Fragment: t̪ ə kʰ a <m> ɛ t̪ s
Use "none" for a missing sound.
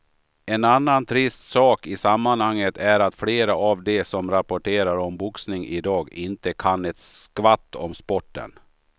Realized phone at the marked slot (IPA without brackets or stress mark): n